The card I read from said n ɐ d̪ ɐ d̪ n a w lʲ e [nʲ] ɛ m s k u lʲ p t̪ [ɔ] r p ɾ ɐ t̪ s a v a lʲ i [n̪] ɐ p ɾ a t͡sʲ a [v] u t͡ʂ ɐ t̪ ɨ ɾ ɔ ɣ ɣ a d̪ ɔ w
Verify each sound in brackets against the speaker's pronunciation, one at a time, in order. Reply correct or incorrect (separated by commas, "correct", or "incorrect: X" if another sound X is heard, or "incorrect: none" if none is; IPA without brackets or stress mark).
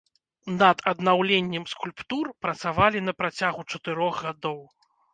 incorrect: nʲː, incorrect: u, correct, incorrect: ɣ